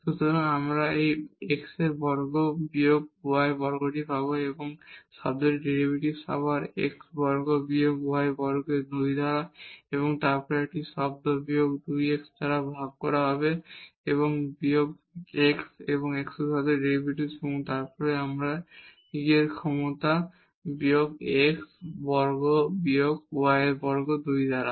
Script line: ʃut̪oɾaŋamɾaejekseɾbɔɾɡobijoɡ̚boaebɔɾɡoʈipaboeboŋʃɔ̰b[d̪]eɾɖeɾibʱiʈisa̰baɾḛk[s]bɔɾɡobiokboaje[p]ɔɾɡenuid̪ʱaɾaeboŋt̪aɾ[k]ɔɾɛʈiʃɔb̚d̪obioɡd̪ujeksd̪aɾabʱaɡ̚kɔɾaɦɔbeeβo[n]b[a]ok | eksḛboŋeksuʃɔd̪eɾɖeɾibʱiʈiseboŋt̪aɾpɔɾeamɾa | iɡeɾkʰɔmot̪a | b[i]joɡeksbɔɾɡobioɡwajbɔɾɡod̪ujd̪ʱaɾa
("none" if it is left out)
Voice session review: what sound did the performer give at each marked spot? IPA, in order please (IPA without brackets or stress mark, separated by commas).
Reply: d̪, s, b, p, ŋ, i, i